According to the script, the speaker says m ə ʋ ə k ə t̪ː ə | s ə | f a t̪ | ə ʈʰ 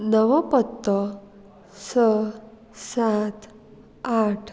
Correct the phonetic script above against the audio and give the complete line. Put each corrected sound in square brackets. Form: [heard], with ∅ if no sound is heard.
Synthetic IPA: [n] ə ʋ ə [p] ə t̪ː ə | s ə | [s] a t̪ | [a] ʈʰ